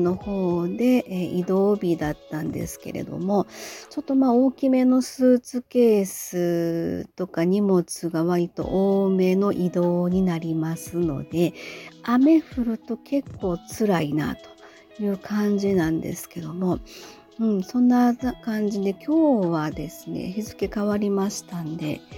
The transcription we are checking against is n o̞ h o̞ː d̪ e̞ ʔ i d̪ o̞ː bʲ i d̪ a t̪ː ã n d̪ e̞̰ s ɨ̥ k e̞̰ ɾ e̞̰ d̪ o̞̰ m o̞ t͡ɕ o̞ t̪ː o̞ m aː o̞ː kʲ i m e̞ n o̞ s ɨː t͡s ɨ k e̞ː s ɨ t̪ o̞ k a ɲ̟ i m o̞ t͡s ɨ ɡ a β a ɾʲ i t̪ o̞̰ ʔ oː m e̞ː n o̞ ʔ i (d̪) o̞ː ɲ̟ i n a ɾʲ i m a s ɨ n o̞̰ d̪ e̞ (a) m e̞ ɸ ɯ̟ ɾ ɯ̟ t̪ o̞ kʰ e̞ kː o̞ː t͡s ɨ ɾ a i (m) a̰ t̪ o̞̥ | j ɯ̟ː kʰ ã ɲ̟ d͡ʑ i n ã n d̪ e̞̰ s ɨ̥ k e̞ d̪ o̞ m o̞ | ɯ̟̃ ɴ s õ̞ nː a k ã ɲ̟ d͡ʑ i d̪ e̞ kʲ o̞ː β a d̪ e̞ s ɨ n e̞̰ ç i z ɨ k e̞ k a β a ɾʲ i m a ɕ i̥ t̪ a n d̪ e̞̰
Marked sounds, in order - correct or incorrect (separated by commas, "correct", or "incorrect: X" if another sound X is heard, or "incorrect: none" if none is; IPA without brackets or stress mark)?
correct, correct, incorrect: n